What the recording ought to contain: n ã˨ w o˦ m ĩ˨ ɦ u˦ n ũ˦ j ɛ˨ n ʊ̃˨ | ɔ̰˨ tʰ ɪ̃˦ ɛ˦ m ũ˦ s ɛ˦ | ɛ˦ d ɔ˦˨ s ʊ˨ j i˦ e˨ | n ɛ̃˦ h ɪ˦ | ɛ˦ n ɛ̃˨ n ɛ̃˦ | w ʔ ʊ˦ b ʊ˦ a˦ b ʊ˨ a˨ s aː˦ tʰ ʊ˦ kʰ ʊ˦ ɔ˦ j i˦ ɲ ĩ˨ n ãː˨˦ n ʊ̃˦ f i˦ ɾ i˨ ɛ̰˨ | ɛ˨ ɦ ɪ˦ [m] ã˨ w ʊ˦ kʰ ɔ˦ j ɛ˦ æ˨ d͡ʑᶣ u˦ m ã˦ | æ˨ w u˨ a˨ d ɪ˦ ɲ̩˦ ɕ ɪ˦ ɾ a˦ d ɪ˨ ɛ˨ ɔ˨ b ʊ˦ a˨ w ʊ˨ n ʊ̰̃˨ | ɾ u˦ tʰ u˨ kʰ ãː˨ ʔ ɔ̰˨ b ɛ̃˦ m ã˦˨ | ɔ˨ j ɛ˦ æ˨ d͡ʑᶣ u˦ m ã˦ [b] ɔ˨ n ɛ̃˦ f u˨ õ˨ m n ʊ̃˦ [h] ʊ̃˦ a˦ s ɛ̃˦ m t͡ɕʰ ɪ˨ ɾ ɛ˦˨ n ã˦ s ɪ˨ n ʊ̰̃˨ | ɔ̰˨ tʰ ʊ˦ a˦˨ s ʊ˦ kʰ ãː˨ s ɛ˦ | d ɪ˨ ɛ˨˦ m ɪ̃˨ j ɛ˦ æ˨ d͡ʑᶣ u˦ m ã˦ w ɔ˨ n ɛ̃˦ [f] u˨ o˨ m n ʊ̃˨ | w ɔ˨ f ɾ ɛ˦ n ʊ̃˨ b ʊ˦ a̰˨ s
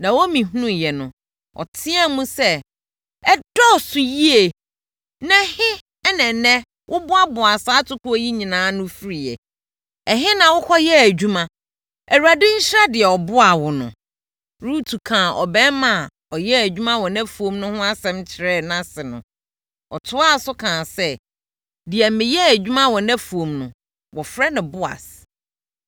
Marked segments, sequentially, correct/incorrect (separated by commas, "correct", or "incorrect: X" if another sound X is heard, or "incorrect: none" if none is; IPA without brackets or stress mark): incorrect: n, incorrect: w, correct, correct